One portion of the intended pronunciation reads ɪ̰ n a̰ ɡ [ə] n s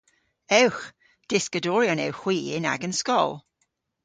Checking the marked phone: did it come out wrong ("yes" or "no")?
no